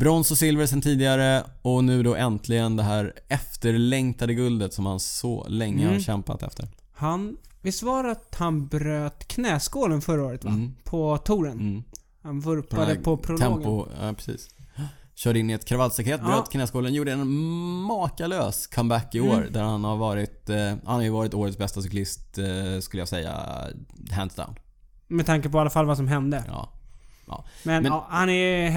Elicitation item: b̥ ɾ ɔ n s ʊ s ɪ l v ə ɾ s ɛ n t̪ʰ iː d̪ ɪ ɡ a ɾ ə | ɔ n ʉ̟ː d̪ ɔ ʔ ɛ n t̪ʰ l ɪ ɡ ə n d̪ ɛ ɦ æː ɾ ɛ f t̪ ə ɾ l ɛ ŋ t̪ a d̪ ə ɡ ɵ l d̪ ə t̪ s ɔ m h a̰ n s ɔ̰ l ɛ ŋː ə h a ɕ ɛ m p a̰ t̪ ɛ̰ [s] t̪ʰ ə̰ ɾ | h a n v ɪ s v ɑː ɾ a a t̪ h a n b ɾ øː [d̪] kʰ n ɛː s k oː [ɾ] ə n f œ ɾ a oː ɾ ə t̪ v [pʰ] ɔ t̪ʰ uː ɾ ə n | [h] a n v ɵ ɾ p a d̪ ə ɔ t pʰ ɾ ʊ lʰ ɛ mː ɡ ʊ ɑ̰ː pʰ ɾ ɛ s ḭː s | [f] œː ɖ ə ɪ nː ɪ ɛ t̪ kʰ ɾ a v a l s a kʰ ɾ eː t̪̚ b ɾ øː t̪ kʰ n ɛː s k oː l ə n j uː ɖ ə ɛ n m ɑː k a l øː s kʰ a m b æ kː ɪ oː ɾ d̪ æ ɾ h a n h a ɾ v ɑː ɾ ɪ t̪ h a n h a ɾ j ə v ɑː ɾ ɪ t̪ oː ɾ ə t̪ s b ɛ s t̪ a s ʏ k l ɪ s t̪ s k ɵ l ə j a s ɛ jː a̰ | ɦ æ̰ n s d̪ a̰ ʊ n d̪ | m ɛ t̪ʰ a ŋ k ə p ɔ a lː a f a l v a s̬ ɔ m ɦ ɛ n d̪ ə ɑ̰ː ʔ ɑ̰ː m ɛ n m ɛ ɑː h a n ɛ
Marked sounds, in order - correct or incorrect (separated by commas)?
incorrect, incorrect, incorrect, correct, correct, incorrect